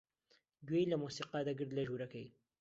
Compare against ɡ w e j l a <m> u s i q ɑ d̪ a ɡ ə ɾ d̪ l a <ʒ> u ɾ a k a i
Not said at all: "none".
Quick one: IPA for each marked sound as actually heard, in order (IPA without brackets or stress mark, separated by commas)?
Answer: m, ʒ